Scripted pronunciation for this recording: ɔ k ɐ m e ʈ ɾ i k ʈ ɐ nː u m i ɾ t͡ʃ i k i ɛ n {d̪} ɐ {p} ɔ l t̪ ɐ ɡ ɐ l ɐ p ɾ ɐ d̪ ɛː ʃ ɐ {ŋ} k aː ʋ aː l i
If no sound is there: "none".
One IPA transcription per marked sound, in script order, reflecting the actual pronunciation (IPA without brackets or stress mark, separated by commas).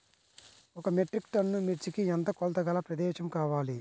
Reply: t̪, k, m